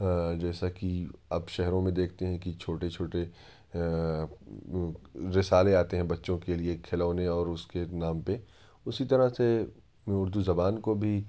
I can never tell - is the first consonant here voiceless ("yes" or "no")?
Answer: no